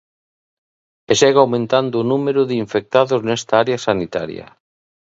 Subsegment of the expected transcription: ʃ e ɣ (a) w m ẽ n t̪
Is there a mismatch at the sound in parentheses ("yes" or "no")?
no